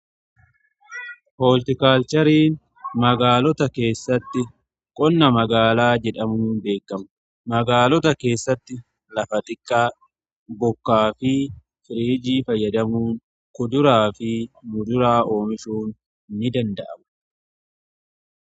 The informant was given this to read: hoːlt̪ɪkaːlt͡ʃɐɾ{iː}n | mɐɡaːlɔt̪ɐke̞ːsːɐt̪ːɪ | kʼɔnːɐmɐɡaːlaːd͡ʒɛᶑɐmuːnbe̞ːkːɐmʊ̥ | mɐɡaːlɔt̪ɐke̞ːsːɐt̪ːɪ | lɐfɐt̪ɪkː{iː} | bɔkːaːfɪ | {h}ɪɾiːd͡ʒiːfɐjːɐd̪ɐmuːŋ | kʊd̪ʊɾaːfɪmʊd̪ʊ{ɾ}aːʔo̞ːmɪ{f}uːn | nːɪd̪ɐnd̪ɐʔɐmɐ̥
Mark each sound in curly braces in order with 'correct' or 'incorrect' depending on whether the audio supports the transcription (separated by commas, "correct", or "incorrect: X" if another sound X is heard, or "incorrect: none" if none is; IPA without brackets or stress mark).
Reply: correct, incorrect: aː, incorrect: f, correct, incorrect: ʃ